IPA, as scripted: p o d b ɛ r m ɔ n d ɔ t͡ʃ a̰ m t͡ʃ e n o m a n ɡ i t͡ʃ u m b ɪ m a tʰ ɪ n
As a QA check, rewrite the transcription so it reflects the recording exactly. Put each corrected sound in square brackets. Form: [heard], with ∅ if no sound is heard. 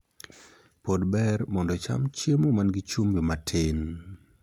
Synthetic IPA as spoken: p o d b ɛ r m ɔ n d ɔ t͡ʃ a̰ m t͡ʃ e [m] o m a n ɡ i t͡ʃ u m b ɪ m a tʰ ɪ n

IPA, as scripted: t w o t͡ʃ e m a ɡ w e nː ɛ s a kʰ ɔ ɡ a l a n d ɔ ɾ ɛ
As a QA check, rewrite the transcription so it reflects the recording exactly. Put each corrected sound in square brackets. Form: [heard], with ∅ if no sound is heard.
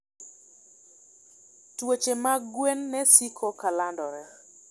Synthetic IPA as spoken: t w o t͡ʃ e m a ɡ w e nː ɛ s [i] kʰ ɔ [k] a l a n d ɔ ɾ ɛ

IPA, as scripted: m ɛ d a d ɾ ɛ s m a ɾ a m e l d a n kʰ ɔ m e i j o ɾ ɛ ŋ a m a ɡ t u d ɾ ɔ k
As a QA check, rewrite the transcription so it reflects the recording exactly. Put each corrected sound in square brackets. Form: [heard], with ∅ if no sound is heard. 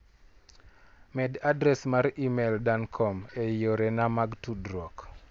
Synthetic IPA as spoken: m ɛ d a d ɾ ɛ s m a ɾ [i] m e l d a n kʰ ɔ m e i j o ɾ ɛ [n] a m a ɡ t u d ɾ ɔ k

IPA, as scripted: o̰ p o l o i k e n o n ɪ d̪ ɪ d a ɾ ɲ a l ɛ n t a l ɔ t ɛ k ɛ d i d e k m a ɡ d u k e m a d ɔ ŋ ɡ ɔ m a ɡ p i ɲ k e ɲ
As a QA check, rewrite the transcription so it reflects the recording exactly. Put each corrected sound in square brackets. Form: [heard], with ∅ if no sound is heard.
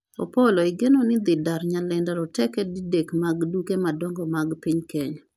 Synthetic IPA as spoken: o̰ p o l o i [ɡ] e n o n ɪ d̪ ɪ d a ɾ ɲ a l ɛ n [d] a [ɾ] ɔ t ɛ k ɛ d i d e k m a ɡ d u k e m a d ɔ ŋ ɡ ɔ m a ɡ p i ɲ k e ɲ

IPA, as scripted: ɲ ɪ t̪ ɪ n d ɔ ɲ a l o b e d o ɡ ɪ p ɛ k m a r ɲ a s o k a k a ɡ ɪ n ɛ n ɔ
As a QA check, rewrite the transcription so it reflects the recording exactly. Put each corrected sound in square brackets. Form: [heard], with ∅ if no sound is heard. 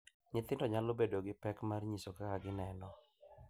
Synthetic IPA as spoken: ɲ ɪ t̪ ɪ n d ɔ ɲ a l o b e d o ɡ ɪ p ɛ k m a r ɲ [i] s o k a k a ɡ ɪ n ɛ n ɔ

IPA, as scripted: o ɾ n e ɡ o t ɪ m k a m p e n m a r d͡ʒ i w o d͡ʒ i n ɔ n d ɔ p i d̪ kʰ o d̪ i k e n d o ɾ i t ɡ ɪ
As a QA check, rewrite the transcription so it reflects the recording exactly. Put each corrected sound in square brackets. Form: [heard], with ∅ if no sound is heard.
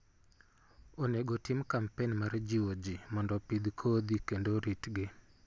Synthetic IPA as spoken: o [∅] n e ɡ o t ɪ m k a m p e n m a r d͡ʒ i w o d͡ʒ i [m] ɔ n d ɔ p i d̪ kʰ o d̪ i k e n d o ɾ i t ɡ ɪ

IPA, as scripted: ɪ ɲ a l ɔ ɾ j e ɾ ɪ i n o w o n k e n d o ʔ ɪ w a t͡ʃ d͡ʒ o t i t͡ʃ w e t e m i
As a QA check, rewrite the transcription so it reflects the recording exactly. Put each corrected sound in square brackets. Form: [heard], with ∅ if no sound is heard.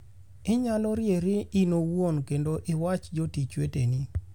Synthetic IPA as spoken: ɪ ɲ a l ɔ ɾ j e ɾ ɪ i n o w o n k e n d o ʔ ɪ w a t͡ʃ d͡ʒ o t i t͡ʃ w e t e [n] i

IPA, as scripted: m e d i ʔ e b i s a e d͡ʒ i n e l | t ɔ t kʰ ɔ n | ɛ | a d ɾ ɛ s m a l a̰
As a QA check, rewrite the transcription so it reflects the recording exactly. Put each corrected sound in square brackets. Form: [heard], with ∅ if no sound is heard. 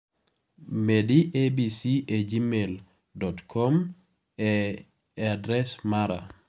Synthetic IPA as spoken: m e d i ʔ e b i s [i] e d͡ʒ i [m] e l | [d] ɔ t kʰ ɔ [m] | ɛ | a d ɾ ɛ s m a [ɾ] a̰

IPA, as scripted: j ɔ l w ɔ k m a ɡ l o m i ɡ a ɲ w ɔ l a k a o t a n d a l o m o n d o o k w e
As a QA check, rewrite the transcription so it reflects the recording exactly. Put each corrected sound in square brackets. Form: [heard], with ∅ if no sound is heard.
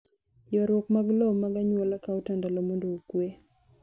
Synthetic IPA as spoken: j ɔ [ɾ] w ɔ k m a ɡ l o m [a] ɡ a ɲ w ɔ l a k a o t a n d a l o m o n d o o k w e

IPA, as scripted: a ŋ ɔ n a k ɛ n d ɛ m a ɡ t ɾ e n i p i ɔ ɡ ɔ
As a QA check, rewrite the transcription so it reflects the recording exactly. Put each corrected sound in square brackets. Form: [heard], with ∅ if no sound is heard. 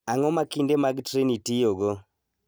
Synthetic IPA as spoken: a ŋ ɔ [m] a k [i] n d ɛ m a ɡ t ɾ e n i [t] i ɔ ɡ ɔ

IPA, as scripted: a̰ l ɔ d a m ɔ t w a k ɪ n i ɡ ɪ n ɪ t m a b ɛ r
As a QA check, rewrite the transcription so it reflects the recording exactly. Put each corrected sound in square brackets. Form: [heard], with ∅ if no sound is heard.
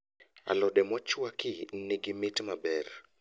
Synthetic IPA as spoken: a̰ l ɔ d [ɛ] m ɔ [t͡ʃ] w a k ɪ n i ɡ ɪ [m] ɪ t m a b ɛ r

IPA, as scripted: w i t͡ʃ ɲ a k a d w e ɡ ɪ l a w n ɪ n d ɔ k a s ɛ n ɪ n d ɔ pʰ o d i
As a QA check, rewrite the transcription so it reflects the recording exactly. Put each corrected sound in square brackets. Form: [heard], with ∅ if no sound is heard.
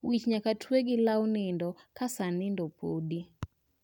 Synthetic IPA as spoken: w i t͡ʃ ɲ a k a [t] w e ɡ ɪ l a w n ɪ n d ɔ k a s [a] n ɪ n d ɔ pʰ o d i

